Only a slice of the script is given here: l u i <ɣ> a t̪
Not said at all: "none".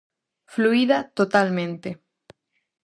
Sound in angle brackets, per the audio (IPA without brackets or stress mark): ð